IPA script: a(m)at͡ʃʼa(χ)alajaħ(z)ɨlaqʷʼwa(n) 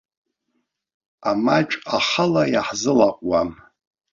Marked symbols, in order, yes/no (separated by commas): yes, yes, yes, no